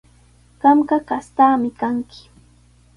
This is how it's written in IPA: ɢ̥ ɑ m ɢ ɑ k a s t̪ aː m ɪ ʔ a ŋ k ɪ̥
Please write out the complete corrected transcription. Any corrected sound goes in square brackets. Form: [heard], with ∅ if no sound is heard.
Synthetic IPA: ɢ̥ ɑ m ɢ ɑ k a s t̪ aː m ɪ [k] a ŋ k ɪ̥